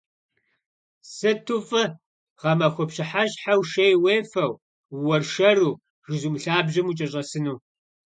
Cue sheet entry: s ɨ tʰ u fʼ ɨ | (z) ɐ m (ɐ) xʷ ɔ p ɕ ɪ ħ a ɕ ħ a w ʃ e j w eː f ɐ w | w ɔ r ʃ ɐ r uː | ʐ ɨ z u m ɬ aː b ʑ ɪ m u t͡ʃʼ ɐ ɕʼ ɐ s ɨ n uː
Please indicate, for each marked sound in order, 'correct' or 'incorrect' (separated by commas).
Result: incorrect, correct